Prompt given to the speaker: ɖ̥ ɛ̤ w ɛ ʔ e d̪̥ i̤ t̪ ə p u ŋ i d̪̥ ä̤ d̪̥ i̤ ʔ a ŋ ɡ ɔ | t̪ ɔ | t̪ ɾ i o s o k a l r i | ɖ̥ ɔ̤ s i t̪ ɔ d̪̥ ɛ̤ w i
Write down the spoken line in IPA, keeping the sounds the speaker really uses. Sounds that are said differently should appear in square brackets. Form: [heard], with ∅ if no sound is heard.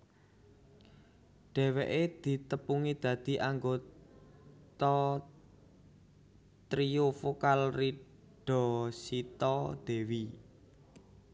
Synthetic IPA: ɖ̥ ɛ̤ w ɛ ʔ e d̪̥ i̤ t̪ ə p u ŋ i d̪̥ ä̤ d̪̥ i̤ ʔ a ŋ ɡ [o] | t̪ ɔ | t̪ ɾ i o [f] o k a l r i | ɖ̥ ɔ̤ s i t̪ ɔ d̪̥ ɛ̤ w i